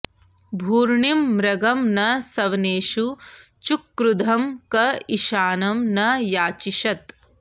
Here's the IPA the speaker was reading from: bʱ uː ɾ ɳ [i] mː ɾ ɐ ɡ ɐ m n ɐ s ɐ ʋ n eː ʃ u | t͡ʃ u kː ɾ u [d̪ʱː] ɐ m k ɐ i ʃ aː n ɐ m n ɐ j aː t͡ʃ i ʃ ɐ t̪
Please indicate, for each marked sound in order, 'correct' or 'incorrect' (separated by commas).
correct, incorrect